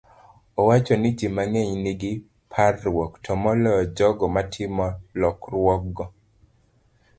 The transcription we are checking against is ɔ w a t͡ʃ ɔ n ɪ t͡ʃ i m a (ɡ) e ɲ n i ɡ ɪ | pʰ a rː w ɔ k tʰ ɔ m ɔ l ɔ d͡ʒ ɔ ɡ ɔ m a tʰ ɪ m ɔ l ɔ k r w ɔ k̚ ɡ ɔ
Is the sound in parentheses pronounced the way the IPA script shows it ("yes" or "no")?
no